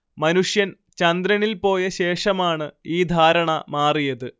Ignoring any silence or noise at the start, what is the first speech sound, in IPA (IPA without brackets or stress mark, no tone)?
m